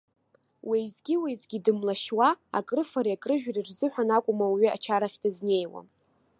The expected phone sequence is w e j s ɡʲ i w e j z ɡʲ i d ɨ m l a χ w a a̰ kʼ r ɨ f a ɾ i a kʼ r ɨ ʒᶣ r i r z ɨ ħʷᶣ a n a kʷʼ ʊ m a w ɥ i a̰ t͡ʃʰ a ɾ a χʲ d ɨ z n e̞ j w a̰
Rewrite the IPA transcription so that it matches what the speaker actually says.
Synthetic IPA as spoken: w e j z ɡʲ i w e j z ɡʲ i d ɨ m l a ʃ w a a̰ kʼ r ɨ f a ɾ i a kʼ r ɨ ʒᶣ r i r z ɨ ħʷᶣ a n a kʷʼ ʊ m a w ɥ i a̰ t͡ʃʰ a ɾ a χʲ d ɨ z n e̞ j w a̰